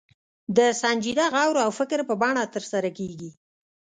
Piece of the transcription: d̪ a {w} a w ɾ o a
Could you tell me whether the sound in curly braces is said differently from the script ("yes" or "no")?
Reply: yes